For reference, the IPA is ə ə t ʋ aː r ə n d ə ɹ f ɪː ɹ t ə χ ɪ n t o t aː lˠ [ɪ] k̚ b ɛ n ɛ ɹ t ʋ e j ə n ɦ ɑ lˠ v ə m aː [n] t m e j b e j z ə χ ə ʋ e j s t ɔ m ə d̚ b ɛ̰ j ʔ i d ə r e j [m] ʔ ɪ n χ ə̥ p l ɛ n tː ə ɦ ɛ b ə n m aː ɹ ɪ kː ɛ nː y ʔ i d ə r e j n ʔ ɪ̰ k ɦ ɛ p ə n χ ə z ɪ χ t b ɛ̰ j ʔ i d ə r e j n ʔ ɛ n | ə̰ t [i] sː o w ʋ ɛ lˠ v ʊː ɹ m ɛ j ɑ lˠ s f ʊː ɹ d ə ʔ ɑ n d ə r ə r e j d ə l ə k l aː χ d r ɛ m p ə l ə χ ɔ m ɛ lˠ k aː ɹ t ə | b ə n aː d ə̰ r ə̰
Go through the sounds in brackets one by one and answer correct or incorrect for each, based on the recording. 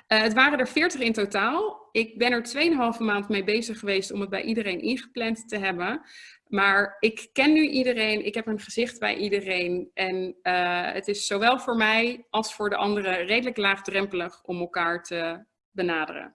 correct, correct, incorrect: n, incorrect: ɪ

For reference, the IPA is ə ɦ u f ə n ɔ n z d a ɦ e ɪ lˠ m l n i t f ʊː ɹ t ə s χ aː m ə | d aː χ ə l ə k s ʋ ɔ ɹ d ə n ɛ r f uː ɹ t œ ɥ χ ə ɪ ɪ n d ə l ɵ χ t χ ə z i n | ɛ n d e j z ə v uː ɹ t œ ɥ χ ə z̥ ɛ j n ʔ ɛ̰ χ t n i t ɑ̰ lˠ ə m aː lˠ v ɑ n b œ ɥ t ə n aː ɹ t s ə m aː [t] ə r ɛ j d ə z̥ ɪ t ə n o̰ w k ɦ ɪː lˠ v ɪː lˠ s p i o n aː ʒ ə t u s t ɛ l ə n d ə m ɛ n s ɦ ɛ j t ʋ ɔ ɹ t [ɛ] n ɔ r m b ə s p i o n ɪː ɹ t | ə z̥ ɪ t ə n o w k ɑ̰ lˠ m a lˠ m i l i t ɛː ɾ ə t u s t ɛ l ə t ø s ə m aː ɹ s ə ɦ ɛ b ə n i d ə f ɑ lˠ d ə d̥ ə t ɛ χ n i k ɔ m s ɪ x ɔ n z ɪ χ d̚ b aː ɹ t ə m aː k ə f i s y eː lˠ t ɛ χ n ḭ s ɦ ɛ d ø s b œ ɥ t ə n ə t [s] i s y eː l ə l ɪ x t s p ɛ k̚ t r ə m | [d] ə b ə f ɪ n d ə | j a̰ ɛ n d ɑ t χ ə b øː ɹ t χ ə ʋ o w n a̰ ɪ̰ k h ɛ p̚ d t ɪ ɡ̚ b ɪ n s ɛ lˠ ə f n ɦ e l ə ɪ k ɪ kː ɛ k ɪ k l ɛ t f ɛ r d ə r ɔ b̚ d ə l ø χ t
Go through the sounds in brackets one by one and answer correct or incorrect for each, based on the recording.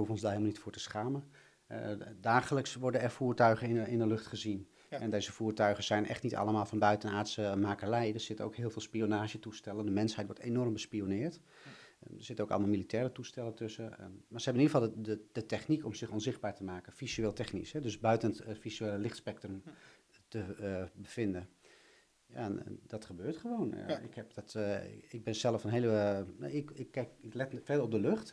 incorrect: k, incorrect: e, incorrect: f, incorrect: t

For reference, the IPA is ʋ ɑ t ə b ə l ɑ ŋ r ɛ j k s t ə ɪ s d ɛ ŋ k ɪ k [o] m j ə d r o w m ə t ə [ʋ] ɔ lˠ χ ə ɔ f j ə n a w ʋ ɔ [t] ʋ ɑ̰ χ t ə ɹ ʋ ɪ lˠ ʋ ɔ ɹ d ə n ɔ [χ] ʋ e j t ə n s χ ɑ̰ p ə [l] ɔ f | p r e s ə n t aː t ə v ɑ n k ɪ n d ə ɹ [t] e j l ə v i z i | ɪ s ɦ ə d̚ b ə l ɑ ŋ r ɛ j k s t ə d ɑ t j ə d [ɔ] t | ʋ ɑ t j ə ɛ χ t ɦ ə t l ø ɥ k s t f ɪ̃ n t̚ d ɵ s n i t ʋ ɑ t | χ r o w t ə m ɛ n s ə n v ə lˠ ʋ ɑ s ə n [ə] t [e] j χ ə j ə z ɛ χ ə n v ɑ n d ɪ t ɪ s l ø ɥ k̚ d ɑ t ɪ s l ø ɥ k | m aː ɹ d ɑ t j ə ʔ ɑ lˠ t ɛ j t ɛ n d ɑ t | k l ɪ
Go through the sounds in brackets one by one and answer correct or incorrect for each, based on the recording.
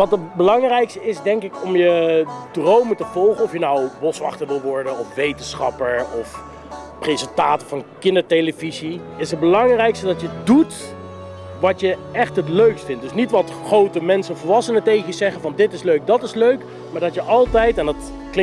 incorrect: ɔ, incorrect: v, incorrect: s, incorrect: f, incorrect: ɹ, correct, incorrect: u, correct, correct

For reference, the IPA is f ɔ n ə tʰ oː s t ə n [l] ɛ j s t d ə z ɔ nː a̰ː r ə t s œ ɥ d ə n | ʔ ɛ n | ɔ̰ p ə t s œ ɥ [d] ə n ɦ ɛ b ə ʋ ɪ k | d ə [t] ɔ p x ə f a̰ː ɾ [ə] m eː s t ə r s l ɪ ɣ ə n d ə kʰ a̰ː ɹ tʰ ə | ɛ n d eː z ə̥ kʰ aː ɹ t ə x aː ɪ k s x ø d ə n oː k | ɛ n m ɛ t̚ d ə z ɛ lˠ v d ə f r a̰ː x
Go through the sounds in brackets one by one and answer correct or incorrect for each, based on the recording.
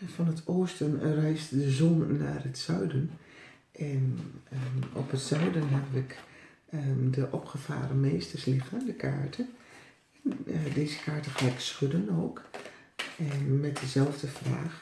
incorrect: r, correct, incorrect: ʔ, correct

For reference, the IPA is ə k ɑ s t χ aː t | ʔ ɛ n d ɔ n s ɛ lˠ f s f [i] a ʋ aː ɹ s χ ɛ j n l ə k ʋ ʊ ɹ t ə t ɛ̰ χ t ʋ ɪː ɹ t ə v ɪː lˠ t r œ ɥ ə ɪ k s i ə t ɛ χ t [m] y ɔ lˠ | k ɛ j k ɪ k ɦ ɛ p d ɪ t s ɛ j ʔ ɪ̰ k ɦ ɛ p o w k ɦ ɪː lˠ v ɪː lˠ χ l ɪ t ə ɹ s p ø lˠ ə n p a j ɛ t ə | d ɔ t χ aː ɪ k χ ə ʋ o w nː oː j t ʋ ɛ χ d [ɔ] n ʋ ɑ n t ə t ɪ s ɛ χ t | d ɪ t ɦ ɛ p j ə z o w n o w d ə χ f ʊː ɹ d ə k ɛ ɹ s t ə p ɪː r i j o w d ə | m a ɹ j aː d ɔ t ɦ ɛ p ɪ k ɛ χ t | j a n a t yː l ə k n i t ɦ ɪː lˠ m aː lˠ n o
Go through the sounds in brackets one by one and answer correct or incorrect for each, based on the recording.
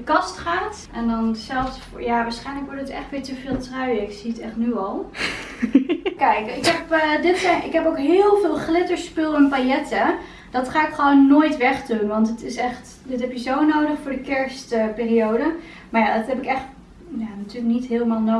incorrect: j, incorrect: n, incorrect: u

